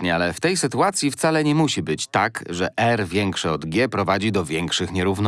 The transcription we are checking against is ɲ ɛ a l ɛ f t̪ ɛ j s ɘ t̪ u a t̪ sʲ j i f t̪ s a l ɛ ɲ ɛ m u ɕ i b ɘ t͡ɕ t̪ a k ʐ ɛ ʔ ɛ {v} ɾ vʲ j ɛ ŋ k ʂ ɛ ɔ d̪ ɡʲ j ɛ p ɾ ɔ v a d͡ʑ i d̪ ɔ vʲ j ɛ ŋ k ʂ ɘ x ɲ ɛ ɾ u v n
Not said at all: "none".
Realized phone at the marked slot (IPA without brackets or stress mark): none